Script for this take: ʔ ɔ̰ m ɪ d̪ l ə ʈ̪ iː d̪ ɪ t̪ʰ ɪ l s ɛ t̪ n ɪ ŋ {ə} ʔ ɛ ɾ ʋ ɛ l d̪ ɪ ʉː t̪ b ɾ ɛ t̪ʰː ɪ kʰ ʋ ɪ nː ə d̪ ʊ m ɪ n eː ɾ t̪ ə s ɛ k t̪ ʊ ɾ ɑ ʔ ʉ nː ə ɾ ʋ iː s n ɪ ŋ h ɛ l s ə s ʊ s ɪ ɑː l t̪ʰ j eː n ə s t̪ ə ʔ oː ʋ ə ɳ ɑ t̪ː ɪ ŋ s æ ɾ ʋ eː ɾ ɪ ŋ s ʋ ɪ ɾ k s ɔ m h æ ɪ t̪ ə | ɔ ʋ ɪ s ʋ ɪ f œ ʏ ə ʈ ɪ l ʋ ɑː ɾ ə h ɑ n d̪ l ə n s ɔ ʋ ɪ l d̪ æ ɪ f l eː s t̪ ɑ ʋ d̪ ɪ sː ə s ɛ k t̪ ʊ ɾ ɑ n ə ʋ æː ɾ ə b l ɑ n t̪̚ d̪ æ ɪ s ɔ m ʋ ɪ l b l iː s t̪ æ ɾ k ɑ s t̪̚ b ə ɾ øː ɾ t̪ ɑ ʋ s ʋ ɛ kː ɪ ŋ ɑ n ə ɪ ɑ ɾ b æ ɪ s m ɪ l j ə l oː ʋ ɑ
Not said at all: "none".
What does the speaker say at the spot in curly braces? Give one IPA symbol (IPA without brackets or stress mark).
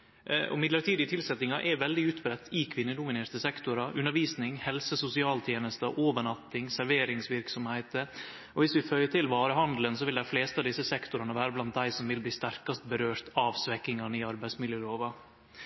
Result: ɑ